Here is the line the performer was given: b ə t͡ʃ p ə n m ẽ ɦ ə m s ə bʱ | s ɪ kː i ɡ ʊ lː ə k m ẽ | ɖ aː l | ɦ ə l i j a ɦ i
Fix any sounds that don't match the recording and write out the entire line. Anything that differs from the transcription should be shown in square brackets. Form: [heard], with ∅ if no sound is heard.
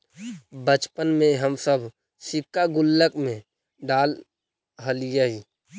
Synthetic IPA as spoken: b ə t͡ʃ p ə n m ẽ ɦ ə m s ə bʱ | s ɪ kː [a] ɡ ʊ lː ə k m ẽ | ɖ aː l | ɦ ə l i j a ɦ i